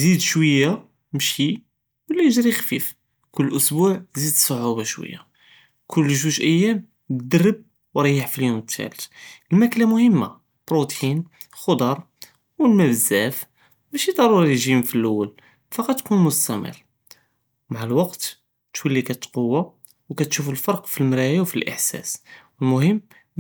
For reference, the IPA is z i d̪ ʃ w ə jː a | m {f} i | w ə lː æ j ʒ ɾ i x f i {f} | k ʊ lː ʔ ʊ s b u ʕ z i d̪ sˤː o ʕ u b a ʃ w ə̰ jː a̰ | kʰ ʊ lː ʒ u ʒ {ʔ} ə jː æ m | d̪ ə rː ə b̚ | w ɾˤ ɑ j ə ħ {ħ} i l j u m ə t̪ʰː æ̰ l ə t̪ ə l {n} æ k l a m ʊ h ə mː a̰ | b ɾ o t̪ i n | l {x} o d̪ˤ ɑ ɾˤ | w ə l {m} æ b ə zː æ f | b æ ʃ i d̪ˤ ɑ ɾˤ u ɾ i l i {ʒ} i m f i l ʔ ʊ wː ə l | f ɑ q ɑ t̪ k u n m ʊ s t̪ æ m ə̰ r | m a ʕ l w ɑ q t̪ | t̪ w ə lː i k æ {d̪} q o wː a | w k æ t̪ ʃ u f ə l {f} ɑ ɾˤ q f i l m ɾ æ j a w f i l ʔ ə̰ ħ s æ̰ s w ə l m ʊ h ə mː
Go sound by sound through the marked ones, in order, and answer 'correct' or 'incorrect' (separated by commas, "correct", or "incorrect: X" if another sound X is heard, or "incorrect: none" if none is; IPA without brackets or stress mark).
incorrect: ʃ, correct, correct, incorrect: f, incorrect: m, correct, correct, correct, incorrect: t̪, correct